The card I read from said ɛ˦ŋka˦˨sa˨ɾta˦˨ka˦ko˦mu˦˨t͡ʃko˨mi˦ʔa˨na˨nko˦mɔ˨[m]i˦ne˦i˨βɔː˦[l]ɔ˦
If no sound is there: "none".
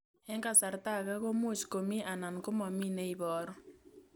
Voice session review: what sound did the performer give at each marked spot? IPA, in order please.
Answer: m, ɾ

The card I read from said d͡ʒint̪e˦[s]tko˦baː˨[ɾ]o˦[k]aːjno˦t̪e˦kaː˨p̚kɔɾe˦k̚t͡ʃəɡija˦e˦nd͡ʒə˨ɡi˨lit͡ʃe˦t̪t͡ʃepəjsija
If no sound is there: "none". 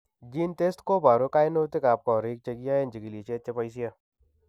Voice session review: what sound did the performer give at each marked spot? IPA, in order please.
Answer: s, ɾ, k

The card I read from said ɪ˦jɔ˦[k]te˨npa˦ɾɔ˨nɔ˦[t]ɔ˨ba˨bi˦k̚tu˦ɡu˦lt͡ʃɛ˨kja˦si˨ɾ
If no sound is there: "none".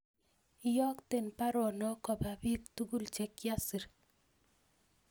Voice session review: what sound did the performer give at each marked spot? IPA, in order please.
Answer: k, k

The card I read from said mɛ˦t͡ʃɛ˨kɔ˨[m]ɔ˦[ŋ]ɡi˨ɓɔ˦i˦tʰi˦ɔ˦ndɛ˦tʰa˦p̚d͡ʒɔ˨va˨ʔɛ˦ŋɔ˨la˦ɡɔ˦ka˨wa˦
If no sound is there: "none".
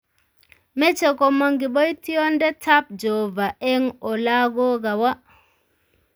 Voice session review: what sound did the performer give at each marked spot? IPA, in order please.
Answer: m, ŋ

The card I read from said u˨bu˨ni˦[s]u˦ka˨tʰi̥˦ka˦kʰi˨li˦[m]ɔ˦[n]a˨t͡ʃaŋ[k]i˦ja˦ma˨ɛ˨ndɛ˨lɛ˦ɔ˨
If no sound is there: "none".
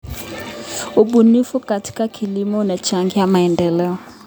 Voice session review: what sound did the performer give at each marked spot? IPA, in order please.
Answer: f, m, n, ɡ

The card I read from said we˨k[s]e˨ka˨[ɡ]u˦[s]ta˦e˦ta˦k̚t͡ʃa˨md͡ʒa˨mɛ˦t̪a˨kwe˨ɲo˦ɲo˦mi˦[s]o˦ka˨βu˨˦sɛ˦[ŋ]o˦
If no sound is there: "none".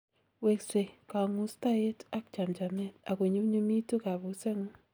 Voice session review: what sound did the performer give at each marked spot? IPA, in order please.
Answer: s, ŋ, s, t, ŋ

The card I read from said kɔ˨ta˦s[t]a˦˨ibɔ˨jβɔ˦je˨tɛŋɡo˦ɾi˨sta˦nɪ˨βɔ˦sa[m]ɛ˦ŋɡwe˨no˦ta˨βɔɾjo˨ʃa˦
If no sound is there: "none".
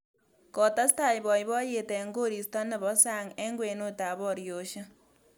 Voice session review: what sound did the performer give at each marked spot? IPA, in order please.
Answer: t, ŋ

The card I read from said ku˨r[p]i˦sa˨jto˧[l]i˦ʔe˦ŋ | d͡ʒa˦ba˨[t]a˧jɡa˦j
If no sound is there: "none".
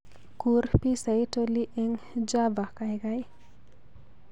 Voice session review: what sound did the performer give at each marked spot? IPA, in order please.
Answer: p, l, k

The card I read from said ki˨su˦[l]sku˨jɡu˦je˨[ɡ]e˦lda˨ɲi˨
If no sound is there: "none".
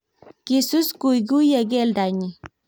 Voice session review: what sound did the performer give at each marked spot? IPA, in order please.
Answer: none, ɡ

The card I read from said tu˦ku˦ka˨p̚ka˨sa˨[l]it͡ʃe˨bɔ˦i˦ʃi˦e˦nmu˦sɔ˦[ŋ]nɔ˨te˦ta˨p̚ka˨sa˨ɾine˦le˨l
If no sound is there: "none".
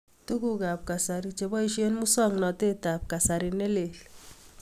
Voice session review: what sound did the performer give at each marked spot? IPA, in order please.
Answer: ɾ, ŋ

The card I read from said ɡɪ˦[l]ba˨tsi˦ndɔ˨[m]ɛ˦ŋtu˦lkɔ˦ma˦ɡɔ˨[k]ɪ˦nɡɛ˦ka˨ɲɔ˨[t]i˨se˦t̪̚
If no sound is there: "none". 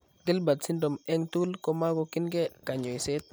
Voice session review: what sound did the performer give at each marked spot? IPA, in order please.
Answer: l, m, k, none

